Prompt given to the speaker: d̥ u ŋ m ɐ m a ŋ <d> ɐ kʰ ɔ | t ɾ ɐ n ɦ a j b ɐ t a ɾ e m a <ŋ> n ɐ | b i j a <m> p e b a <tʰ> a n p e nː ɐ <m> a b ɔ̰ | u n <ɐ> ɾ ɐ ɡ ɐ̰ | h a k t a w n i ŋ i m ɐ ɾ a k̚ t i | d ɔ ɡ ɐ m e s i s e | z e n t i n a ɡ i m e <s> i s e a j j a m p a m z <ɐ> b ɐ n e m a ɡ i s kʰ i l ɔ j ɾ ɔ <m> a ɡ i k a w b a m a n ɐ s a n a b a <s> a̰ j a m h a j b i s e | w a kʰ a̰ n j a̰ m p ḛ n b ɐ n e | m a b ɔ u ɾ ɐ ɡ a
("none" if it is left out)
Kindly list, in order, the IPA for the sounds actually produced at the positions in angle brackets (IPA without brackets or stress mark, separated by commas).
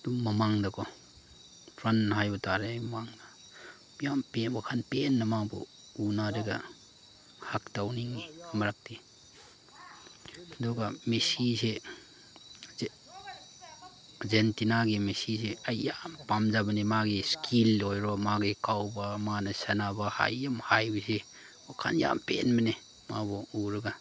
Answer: d, ŋ, m, kʰ, m, a, s, a, m, h